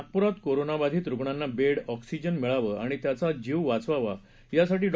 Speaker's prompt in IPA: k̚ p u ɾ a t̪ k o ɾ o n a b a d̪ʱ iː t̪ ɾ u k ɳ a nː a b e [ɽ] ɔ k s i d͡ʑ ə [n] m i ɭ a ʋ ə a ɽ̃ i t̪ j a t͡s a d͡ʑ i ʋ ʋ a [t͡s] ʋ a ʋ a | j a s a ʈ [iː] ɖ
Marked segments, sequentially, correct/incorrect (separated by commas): correct, correct, correct, correct